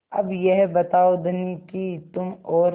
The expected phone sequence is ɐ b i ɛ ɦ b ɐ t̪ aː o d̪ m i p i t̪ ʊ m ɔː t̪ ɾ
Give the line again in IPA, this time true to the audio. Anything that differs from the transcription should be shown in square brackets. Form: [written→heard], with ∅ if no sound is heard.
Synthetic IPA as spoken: ɐ b [i→j] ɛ ɦ b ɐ t̪ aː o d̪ [m→n] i [p→k] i t̪ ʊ m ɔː [t̪→∅] ɾ